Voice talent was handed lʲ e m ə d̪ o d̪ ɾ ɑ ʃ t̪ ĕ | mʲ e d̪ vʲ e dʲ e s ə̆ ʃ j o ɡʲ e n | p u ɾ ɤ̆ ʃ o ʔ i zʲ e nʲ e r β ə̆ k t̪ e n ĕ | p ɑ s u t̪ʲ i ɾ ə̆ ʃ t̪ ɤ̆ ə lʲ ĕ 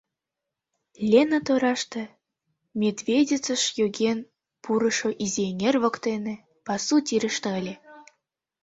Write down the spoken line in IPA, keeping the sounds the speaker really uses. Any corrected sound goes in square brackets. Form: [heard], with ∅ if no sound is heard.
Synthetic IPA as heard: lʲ e [n] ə [t̪] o [∅] ɾ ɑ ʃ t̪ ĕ | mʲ e d̪ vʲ e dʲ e [t͡s] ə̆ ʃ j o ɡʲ e n | p u ɾ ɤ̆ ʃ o ʔ i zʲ e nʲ e r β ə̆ k t̪ e n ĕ | p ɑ s u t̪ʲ i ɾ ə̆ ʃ t̪ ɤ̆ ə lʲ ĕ